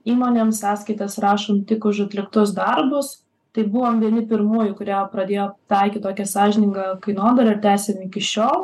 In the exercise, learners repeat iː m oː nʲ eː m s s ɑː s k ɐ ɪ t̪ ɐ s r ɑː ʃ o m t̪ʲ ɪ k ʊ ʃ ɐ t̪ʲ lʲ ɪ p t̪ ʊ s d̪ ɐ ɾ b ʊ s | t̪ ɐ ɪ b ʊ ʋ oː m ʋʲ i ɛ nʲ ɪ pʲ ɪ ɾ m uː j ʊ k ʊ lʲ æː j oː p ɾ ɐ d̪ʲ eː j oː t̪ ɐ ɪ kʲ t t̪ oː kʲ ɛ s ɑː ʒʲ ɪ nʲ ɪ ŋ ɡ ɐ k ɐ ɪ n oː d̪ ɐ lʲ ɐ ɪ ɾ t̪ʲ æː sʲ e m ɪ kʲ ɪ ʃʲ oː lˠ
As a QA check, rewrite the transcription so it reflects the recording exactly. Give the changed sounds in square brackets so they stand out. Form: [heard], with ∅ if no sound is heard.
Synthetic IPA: iː m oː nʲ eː m s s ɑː s k ɐ ɪ t̪ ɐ s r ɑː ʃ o m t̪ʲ ɪ k ʊ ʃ ɐ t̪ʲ lʲ ɪ [k] t̪ ʊ s d̪ ɐ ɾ b ʊ s | t̪ ɐ ɪ b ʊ ʋ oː m ʋʲ i ɛ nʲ ɪ pʲ ɪ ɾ m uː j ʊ k ʊ [ɾʲ] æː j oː p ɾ ɐ d̪ʲ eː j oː t̪ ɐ ɪ kʲ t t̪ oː kʲ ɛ s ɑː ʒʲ ɪ nʲ ɪ ŋ ɡ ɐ k ɐ ɪ n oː d̪ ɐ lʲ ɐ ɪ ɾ t̪ʲ æː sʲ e m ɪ kʲ ɪ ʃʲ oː lˠ